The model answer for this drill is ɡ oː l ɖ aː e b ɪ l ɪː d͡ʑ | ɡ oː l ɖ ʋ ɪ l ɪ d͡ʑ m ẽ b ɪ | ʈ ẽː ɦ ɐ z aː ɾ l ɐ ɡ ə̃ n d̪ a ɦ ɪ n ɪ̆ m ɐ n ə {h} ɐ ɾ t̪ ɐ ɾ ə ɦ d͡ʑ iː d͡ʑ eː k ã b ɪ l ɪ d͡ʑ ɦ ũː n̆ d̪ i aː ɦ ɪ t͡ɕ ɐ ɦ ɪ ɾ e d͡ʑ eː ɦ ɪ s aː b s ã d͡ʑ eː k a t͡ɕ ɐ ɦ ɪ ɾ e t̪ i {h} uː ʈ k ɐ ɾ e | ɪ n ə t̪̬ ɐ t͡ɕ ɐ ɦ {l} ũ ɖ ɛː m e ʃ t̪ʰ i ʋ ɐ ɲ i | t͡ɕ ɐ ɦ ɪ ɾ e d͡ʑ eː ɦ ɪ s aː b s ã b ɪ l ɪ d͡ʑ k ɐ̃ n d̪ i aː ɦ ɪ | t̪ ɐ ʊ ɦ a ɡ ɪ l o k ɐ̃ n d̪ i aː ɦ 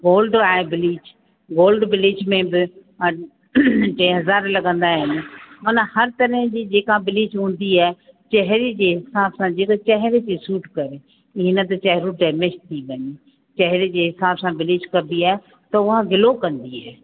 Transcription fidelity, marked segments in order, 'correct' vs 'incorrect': correct, incorrect, incorrect

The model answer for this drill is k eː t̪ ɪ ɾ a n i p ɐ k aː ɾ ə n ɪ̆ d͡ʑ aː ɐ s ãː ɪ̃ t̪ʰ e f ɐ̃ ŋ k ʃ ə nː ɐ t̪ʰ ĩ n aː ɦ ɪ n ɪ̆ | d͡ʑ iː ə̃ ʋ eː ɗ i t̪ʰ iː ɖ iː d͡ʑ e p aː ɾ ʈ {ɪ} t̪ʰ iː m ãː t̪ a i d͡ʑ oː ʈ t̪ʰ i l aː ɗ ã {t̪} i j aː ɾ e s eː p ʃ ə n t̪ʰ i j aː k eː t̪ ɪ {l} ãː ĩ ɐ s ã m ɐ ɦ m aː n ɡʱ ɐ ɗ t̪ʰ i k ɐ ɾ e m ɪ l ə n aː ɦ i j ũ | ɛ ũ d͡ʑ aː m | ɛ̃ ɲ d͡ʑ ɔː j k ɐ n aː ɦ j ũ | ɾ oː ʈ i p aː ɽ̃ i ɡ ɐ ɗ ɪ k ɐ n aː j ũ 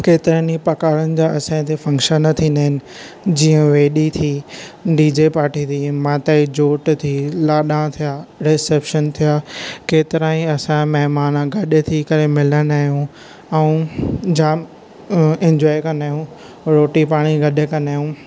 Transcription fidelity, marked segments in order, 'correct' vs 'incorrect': incorrect, incorrect, incorrect

